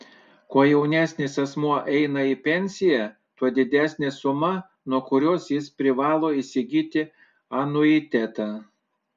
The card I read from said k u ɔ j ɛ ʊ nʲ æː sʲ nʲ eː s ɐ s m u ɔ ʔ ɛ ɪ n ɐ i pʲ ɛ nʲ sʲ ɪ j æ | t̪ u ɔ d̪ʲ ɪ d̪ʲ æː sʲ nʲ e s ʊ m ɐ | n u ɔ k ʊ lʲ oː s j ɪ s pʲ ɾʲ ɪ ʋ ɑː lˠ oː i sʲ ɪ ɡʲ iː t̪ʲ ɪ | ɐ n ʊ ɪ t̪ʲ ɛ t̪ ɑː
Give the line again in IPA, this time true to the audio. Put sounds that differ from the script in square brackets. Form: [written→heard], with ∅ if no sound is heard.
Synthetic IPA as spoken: k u ɔ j ɛ ʊ nʲ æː sʲ nʲ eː s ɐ s m u ɔ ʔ ɛ ɪ n ɐ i pʲ ɛ nʲ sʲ ɪ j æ | t̪ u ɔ d̪ʲ ɪ d̪ʲ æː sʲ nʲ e s ʊ m ɐ | n u ɔ k ʊ [lʲ→ɾʲ] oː s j ɪ s pʲ ɾʲ ɪ ʋ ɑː lˠ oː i sʲ ɪ ɡʲ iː t̪ʲ ɪ | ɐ n ʊ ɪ t̪ʲ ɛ t̪ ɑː